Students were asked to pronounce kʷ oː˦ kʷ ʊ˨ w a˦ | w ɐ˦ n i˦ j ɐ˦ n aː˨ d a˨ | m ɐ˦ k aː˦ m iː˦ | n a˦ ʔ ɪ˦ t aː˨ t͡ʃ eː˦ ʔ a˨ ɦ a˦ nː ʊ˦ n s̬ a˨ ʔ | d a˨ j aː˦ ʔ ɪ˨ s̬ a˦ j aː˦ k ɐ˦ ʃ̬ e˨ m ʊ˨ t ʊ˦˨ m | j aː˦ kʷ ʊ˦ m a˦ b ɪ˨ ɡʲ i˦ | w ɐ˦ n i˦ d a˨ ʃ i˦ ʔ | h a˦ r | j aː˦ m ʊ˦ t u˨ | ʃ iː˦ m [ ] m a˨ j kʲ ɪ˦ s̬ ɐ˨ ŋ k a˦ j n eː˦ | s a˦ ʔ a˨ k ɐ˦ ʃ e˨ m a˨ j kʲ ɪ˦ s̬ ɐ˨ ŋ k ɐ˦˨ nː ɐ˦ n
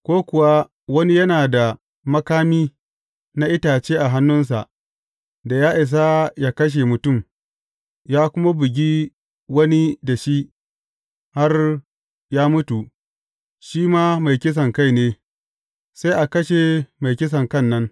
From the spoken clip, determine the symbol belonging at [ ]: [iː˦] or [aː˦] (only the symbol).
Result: aː˦